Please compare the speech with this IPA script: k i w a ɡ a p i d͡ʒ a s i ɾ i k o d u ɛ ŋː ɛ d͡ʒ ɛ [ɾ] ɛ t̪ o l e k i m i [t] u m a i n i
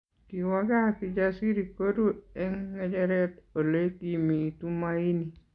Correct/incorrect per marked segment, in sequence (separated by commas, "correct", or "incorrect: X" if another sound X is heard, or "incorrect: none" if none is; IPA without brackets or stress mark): correct, correct